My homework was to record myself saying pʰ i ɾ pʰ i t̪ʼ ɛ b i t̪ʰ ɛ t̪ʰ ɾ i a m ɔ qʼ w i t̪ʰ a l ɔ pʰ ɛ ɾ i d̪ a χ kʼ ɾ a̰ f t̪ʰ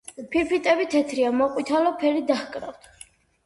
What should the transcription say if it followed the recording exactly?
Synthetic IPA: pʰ i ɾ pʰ i t̪ʼ ɛ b i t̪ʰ ɛ t̪ʰ ɾ i a m ɔ qʼ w i t̪ʰ a l ɔ pʰ ɛ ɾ i d̪ a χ kʼ ɾ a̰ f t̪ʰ

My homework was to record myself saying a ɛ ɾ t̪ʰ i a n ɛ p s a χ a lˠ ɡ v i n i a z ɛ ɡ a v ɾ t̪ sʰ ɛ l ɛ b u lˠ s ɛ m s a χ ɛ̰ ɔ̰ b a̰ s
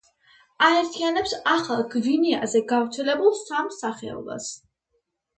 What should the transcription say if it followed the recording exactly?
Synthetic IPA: a ɛ ɾ t̪ʰ i a n ɛ p s a χ a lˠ ɡ v i n i a z ɛ ɡ a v ɾ t̪ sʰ ɛ l ɛ b u lˠ s a m s a χ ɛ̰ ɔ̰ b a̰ s

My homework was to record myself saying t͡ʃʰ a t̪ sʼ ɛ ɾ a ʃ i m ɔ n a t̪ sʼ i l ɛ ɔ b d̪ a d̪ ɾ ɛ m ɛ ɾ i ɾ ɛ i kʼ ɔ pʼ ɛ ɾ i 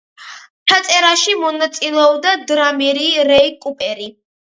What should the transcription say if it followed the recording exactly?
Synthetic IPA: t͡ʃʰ a t̪ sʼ ɛ ɾ a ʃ i m ɔ n a t̪ sʼ i l ɛ ɔ b d̪ a d̪ ɾ a m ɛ ɾ i ɾ ɛ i kʼ u pʼ ɛ ɾ i

